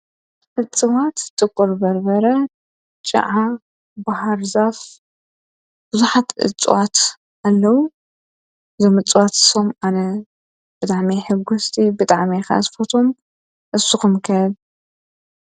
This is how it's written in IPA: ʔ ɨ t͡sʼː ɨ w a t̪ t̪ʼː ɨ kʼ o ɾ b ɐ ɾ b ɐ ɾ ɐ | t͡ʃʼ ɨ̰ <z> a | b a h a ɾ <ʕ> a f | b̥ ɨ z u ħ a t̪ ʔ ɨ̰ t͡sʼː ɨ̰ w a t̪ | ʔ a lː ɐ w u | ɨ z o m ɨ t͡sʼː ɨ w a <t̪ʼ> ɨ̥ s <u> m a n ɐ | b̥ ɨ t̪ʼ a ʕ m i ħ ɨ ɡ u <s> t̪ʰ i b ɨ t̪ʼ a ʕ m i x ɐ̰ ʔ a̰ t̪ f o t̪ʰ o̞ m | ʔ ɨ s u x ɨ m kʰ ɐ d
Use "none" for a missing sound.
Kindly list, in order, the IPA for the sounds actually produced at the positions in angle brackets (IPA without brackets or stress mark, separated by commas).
ʕ, z, t̪, o, s